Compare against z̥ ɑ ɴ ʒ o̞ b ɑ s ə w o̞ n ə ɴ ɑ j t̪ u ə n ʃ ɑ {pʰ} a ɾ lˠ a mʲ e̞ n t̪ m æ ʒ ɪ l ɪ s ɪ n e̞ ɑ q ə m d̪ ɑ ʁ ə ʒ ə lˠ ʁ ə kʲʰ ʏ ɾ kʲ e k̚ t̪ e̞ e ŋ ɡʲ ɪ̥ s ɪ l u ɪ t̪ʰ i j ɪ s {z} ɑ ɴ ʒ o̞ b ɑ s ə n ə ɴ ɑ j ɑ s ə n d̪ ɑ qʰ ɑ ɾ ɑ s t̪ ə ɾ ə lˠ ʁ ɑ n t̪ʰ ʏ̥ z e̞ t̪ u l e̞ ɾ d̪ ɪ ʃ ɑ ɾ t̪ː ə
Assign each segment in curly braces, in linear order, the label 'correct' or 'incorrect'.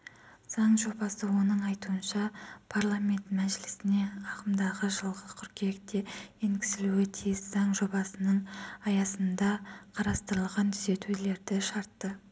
correct, correct

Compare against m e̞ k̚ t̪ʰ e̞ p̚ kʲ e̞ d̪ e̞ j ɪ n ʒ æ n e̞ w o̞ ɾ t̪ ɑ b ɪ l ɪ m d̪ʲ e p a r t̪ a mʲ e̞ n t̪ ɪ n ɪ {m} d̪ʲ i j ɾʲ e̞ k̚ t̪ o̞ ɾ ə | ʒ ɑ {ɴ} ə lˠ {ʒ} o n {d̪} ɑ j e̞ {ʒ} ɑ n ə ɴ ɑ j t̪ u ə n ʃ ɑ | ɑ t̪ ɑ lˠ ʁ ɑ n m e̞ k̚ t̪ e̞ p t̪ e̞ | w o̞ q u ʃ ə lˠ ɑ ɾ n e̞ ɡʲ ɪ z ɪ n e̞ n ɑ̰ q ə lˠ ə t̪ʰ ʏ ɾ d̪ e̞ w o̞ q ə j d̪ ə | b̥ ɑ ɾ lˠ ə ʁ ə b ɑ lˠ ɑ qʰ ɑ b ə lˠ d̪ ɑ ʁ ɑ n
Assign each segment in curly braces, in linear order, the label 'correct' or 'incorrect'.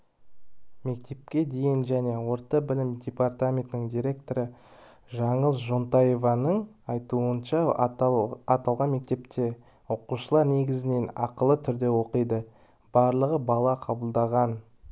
incorrect: ŋ, correct, correct, incorrect: t̪, incorrect: v

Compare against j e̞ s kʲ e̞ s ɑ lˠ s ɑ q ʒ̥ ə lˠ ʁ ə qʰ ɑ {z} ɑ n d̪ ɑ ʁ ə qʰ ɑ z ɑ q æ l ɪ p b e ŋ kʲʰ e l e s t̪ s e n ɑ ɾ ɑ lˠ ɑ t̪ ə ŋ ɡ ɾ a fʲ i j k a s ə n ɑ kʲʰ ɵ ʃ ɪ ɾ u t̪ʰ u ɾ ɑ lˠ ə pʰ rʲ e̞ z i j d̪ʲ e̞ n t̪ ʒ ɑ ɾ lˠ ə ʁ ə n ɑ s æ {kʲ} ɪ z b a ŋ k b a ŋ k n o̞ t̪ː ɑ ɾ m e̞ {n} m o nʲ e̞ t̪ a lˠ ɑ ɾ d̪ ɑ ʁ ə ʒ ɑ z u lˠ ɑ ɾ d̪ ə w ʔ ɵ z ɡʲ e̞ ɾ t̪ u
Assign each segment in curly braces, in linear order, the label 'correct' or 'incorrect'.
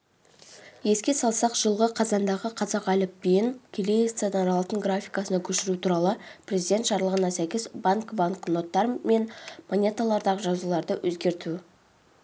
correct, correct, correct

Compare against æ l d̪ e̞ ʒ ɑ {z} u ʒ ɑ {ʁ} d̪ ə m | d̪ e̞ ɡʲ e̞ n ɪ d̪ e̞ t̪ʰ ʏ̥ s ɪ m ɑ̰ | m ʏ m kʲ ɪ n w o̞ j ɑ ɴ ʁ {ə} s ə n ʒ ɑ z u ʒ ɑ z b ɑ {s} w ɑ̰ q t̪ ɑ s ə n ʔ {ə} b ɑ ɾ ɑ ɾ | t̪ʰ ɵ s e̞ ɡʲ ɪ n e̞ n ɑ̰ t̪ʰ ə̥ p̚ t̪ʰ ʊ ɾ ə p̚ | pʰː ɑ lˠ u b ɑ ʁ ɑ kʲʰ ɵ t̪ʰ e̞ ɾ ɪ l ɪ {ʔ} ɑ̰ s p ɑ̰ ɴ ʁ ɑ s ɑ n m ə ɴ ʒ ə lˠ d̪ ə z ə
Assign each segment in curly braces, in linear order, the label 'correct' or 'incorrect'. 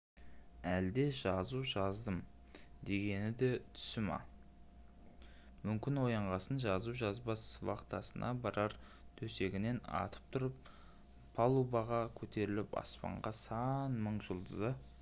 correct, incorrect: z, incorrect: ɑ, correct, incorrect: ɑ, incorrect: p

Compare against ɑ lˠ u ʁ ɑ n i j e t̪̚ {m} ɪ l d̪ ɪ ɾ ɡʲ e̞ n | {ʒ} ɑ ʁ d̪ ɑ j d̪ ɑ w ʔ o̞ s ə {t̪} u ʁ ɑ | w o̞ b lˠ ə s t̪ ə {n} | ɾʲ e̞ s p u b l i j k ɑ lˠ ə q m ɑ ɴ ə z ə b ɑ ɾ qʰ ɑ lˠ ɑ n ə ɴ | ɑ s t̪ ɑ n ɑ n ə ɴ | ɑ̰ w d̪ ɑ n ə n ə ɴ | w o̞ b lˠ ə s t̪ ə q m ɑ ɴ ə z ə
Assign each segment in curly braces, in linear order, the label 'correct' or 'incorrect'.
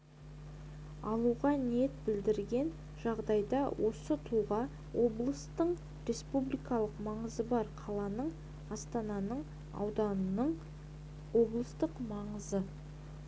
incorrect: b, correct, incorrect: t̪ʰ, incorrect: ɴ

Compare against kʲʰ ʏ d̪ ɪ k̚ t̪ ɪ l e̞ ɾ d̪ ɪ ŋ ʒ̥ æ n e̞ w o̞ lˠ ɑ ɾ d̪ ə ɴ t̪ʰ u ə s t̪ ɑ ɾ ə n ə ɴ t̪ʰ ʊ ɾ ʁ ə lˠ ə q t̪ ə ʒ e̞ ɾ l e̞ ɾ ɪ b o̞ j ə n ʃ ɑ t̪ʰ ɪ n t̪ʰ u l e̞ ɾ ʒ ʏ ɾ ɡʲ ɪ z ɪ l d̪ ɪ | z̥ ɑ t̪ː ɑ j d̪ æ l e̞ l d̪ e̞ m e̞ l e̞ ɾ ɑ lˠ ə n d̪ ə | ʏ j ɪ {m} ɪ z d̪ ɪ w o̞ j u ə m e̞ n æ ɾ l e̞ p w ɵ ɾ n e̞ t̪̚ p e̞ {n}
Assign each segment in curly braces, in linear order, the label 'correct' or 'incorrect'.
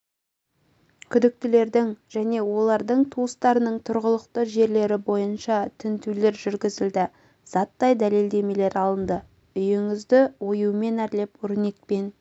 incorrect: ŋ, correct

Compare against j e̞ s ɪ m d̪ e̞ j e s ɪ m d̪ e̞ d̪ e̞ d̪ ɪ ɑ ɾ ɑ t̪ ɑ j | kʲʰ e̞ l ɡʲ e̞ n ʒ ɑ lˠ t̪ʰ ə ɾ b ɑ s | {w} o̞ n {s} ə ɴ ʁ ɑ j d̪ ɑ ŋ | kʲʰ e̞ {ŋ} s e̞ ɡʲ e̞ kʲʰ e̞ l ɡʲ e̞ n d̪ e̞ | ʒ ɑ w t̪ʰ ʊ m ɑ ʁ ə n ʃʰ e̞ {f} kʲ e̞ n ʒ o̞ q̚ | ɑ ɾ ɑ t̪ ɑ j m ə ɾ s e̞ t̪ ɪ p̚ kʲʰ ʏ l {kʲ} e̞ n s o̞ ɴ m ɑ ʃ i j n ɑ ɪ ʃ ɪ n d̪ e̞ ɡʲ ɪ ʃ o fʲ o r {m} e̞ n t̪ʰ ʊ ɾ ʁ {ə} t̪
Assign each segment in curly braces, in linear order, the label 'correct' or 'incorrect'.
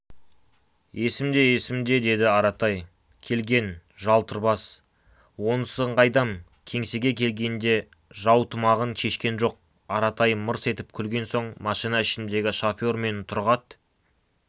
correct, correct, correct, incorrect: ʃ, incorrect: ɡʲ, correct, incorrect: ɑ

